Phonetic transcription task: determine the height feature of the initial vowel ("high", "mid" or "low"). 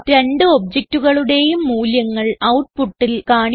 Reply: mid